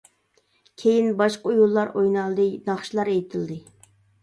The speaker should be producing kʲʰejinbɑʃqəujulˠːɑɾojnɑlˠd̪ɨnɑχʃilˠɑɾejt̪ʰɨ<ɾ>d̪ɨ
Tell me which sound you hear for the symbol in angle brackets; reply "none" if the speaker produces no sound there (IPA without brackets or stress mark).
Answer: l